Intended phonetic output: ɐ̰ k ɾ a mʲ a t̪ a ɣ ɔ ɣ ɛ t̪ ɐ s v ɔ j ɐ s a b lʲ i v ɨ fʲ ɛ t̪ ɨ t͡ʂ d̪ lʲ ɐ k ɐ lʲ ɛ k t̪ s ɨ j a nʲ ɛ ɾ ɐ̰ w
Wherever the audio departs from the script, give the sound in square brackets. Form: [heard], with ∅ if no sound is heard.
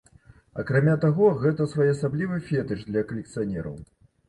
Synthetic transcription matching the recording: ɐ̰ k ɾ a mʲ a t̪ a ɣ ɔ ɣ ɛ t̪ ɐ s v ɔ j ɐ s a b lʲ i v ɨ fʲ ɛ t̪ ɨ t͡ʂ d̪ lʲ ɐ k ɐ lʲ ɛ k t̪ s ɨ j a nʲ ɛ ɾ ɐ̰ w